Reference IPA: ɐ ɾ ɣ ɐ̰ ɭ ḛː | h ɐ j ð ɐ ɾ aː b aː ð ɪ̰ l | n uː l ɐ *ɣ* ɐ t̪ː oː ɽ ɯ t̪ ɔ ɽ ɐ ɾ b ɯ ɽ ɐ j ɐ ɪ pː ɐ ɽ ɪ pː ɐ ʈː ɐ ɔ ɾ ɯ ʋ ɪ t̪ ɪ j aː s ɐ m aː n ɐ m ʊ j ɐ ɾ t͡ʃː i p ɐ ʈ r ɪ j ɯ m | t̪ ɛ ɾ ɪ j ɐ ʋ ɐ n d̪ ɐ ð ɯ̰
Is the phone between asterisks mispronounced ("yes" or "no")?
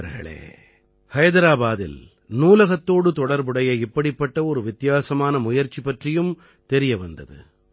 no